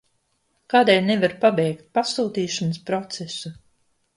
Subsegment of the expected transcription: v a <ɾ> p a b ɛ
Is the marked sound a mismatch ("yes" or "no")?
no